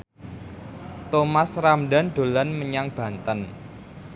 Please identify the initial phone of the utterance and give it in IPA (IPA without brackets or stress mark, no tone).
t̪